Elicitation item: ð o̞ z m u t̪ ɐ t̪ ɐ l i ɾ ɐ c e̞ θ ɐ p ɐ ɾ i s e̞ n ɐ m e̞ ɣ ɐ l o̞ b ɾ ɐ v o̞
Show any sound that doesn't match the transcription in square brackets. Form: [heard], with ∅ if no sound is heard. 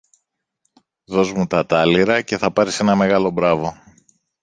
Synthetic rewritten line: ð o̞ z m u t̪ ɐ t̪ ɐ l i ɾ ɐ c e̞ θ ɐ p ɐ ɾ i s e̞ n ɐ m e̞ ɣ ɐ l o̞ b ɾ ɐ v o̞